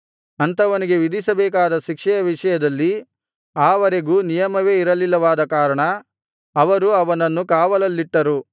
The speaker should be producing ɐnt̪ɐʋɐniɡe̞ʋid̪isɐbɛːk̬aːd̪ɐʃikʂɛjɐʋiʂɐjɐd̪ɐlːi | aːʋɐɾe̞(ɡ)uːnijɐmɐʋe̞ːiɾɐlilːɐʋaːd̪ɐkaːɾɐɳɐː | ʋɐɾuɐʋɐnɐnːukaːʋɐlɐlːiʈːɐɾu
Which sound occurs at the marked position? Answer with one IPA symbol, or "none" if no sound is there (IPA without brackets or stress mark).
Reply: ɡ